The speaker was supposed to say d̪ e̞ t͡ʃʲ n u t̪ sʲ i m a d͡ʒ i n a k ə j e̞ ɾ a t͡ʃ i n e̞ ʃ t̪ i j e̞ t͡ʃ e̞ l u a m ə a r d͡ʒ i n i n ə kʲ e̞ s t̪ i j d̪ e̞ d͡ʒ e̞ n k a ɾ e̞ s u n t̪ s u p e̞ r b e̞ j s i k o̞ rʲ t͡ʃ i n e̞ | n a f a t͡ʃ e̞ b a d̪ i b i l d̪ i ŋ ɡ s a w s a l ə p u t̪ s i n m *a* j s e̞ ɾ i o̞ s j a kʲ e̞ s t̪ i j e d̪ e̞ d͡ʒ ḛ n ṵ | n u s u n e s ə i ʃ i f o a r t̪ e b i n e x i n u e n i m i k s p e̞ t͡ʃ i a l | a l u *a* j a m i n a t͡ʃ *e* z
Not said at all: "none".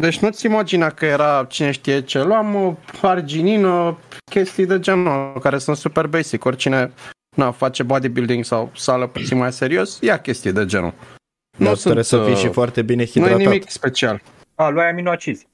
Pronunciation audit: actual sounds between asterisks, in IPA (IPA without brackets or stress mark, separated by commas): a, a, i